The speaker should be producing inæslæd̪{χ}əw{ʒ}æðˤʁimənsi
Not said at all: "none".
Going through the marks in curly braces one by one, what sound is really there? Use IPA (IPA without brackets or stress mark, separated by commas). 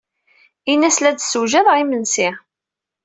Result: s, ʒ